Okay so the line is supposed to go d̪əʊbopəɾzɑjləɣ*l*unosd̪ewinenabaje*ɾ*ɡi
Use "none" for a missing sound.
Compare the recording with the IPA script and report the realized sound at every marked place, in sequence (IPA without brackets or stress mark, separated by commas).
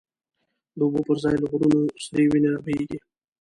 ɾ, none